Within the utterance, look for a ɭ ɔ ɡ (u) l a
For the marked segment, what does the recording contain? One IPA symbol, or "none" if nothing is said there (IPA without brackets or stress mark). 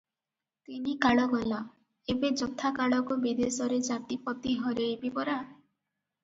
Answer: ɔ